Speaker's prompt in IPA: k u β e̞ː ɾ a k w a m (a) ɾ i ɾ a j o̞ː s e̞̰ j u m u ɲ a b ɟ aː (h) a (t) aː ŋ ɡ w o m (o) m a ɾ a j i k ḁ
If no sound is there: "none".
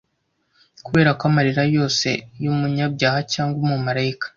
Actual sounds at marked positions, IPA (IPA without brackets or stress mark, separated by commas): a, h, c, u